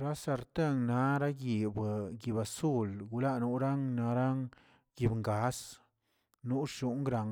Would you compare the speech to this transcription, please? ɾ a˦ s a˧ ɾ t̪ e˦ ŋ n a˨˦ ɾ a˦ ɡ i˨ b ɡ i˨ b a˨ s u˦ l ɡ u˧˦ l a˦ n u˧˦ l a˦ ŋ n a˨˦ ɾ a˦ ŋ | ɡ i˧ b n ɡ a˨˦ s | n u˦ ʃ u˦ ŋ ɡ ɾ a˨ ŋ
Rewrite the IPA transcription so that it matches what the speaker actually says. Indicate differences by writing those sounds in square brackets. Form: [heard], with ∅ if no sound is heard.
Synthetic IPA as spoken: ɾ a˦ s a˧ ɾ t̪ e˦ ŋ n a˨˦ ɾ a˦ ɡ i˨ b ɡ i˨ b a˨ s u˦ l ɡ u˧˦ l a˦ n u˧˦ [ɾ] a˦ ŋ n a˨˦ ɾ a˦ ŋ | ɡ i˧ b [ŋ] ɡ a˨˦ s | n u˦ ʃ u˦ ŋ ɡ ɾ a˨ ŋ